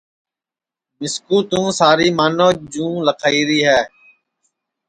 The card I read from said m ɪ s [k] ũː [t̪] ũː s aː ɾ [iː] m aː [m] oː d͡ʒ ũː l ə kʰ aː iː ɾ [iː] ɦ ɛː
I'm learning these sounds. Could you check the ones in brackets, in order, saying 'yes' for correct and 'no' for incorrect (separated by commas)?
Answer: yes, yes, yes, no, yes